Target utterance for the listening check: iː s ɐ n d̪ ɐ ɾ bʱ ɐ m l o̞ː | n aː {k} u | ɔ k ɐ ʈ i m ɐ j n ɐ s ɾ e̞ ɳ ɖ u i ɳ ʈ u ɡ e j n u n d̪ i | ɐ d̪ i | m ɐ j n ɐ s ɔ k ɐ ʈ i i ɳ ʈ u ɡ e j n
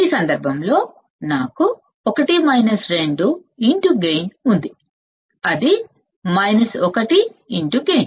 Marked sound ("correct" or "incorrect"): correct